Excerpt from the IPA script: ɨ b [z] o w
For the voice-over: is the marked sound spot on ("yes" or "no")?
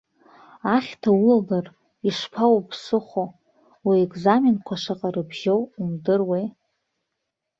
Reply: no